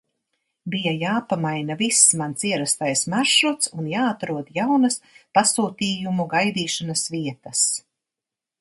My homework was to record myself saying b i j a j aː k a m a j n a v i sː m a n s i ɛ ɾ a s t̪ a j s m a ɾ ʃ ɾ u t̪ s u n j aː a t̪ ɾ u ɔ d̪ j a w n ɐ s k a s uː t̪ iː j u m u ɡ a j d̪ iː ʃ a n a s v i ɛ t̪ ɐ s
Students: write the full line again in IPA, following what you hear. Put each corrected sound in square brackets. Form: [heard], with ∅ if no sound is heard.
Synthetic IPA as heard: b i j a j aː [p] a m a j n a v i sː m a n s i ɛ ɾ a s t̪ a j s m a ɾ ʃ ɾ u t̪ s u n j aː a t̪ ɾ u ɔ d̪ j a w n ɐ s [p] a s uː t̪ iː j u m u ɡ a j d̪ iː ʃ a n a s v i ɛ t̪ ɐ s